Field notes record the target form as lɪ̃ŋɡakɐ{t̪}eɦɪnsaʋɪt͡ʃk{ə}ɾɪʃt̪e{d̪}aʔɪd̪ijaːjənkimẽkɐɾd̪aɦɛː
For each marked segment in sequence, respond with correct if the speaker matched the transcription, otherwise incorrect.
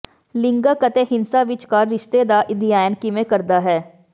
correct, incorrect: a, correct

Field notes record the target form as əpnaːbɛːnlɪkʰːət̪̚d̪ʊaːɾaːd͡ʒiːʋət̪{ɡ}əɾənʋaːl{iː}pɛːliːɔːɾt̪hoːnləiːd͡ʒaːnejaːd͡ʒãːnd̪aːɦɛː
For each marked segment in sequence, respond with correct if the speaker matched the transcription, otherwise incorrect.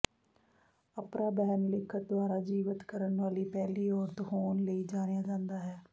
incorrect: k, correct

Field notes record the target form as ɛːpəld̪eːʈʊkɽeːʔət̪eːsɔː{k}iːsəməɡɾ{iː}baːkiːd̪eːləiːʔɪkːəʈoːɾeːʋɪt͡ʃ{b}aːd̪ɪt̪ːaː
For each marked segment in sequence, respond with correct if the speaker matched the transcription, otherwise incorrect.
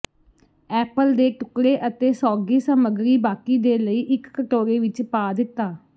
incorrect: ɡ, correct, incorrect: p

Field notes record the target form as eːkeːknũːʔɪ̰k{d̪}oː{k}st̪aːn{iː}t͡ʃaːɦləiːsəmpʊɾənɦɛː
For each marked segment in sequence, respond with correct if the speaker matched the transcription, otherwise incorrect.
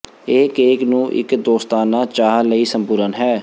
correct, incorrect: none, incorrect: aː

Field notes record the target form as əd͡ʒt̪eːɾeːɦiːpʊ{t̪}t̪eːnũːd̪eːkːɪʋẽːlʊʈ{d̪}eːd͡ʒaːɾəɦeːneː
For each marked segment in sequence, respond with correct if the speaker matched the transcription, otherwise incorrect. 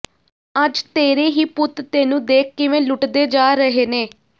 correct, correct

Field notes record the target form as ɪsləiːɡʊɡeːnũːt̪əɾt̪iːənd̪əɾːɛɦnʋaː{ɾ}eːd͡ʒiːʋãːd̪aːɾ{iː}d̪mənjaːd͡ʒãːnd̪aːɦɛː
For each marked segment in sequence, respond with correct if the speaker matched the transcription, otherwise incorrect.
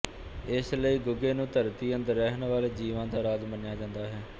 incorrect: l, incorrect: aː

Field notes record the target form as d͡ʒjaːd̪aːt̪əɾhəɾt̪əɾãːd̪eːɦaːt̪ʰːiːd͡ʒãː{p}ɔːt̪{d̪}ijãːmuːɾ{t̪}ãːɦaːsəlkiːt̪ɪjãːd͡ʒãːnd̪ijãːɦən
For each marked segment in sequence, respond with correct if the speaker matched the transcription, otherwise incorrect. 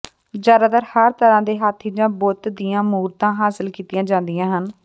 incorrect: b, correct, correct

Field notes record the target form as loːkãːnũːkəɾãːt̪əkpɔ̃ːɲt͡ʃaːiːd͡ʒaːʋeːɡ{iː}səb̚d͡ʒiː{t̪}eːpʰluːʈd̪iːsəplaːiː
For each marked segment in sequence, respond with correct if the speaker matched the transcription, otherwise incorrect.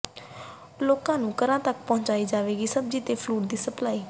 correct, correct

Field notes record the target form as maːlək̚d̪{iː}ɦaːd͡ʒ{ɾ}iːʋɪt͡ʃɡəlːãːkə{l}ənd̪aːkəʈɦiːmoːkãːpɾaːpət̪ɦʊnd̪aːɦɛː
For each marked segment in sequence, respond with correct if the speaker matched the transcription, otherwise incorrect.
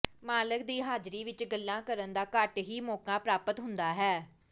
correct, correct, incorrect: ɾ

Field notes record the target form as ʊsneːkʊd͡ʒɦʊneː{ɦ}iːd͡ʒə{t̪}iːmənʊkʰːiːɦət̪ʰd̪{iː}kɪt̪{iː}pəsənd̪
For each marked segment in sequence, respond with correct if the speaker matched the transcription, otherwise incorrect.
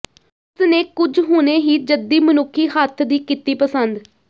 correct, incorrect: d̪, correct, correct

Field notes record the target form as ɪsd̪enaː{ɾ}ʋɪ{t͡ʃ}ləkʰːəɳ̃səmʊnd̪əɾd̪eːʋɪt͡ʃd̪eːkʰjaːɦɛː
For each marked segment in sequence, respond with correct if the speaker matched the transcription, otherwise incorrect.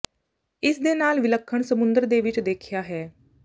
incorrect: l, incorrect: none

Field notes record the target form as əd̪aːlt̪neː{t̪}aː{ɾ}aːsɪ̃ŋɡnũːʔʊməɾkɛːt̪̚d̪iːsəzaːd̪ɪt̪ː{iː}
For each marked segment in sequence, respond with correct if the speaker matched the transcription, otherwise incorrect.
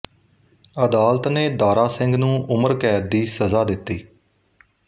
incorrect: d̪, correct, correct

